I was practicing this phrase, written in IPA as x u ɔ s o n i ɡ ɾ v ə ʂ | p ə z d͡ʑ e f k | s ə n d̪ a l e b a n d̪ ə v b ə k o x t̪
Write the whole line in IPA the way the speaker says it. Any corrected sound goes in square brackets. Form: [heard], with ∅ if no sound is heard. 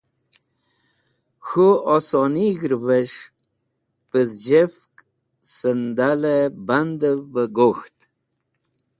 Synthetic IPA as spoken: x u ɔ s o n i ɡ ɾ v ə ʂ | p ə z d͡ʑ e f k | s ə n d̪ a l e b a n d̪ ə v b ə [ɡ] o x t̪